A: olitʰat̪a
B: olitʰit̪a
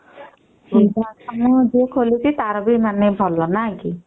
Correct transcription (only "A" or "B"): B